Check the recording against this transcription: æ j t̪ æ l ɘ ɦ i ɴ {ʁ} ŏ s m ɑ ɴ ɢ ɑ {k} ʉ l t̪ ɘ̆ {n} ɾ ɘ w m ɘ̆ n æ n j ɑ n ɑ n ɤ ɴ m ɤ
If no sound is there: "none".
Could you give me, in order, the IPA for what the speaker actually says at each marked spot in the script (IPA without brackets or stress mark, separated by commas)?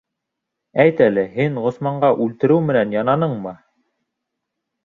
ʁ, ʔ, none